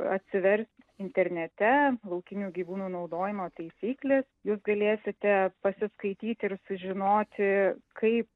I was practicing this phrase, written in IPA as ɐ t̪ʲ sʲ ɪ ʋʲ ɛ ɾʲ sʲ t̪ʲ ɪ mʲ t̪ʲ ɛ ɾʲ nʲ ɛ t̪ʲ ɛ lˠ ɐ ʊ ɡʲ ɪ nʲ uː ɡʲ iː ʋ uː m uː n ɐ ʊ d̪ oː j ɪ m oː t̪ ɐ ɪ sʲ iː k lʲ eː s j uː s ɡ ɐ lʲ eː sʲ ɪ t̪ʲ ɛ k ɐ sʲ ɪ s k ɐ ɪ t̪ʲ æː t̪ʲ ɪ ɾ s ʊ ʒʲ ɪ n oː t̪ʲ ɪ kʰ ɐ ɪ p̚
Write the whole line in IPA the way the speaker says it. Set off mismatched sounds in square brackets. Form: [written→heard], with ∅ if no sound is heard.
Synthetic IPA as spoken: ɐ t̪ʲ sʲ ɪ ʋʲ ɛ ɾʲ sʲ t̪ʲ ɪ [mʲ→nʲ] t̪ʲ ɛ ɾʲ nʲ ɛ t̪ʲ ɛ lˠ ɐ ʊ [ɡʲ→kʲ] ɪ nʲ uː ɡʲ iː ʋ uː [m→n] uː n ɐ ʊ d̪ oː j ɪ m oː t̪ ɐ ɪ sʲ iː k lʲ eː s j uː s ɡ ɐ lʲ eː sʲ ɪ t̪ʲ ɛ [k→p] ɐ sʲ ɪ s k ɐ ɪ t̪ʲ [æː→iː] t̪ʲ ɪ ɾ s ʊ ʒʲ ɪ n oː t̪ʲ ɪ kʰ ɐ ɪ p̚